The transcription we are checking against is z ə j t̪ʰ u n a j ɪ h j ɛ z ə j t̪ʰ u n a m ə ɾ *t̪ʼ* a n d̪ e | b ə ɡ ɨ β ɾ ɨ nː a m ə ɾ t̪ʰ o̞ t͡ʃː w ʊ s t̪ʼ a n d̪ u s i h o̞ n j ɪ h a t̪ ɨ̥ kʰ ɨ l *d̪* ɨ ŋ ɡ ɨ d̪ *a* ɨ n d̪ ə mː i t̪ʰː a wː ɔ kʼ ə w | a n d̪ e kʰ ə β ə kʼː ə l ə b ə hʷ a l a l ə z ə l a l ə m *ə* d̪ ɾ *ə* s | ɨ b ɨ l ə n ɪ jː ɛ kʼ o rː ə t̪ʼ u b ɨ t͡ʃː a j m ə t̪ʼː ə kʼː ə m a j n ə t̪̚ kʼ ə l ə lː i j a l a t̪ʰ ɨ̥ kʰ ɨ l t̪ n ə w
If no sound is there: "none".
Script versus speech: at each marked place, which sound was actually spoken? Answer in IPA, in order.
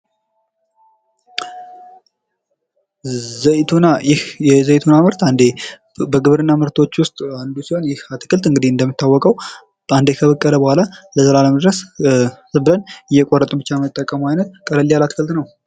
t̪, t̪, i, ə, ə

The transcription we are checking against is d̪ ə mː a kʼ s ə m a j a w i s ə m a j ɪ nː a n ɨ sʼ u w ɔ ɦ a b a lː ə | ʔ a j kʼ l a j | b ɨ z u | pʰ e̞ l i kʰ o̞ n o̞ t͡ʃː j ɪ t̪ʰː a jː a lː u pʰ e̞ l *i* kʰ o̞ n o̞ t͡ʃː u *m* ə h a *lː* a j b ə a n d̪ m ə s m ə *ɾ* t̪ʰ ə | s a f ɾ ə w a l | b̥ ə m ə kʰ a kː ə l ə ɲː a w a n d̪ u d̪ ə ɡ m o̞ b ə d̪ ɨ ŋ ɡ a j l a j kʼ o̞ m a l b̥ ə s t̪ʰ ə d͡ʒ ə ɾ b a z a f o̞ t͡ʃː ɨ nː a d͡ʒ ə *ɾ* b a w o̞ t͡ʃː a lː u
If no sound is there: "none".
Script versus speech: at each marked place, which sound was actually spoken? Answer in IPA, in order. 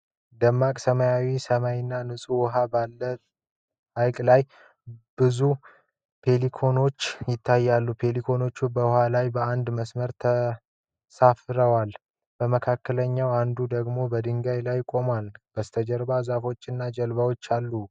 i, b, l, ɾ, l

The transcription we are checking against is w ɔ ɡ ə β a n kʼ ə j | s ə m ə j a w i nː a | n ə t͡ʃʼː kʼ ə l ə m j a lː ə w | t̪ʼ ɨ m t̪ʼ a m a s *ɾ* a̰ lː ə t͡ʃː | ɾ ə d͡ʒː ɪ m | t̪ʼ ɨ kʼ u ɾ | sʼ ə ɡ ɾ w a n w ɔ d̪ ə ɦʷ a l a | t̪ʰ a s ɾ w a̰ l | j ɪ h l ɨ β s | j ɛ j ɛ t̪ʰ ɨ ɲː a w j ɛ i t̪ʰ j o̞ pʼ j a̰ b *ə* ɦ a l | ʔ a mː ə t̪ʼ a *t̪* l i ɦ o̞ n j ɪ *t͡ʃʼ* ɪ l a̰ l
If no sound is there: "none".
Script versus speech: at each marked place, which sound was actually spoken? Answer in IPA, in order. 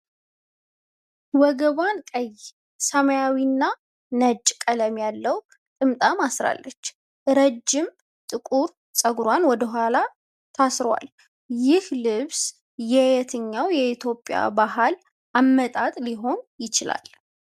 ɾ, a, t̪ʼ, t͡ʃ

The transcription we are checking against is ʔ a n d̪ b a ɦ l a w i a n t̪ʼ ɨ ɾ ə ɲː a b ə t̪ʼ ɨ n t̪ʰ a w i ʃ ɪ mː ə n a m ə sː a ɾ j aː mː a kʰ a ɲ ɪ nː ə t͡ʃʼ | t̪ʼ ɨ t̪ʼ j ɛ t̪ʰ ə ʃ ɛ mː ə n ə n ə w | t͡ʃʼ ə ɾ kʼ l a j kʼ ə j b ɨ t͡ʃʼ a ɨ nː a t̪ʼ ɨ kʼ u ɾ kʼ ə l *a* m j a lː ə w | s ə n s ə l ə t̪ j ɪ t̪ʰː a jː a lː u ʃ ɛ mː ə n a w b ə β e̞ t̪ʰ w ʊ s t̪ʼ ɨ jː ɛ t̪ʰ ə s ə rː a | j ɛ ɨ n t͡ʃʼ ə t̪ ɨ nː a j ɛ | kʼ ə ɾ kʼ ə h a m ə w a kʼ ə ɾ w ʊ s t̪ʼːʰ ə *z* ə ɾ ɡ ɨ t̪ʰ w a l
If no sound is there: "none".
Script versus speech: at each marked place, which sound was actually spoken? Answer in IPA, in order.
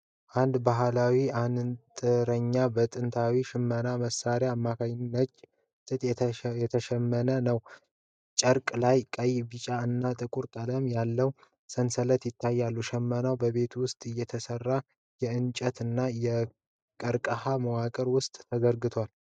ə, z

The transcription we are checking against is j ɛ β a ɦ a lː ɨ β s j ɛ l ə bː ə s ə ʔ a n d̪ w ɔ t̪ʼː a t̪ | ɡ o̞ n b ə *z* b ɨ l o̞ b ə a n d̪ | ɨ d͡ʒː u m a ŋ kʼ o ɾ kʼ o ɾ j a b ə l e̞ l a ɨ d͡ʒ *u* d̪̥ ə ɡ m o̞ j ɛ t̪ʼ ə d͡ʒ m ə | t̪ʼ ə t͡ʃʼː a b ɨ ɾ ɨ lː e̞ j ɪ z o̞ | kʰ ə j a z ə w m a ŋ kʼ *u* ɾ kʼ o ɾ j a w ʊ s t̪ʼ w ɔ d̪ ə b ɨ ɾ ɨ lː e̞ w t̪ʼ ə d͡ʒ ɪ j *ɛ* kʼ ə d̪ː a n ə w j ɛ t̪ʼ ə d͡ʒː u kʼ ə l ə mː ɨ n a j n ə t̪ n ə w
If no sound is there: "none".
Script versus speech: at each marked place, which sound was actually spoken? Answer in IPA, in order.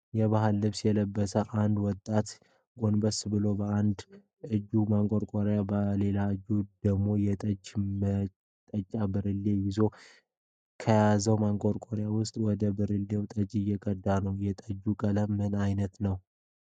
s, u, o, ɛ

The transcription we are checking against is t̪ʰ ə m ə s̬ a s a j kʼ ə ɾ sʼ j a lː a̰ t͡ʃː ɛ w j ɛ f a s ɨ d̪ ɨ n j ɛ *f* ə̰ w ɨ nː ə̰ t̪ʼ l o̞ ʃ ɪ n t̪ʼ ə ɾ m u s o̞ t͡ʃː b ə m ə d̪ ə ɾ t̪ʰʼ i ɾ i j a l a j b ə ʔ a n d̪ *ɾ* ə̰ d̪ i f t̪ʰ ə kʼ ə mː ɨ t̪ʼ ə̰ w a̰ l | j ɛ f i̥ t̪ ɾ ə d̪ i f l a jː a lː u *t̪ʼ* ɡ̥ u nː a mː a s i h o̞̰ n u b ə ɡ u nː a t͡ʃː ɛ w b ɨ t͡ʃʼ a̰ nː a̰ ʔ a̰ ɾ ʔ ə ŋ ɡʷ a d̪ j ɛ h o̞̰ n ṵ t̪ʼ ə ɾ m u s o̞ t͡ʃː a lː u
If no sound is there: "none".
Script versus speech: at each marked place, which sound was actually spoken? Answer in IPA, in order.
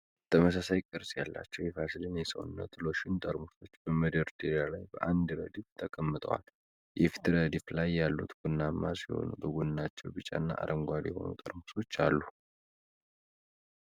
s, ɾ, t̪

